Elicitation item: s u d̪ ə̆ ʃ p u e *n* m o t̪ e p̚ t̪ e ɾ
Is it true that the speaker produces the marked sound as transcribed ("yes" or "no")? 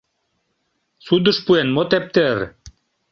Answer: yes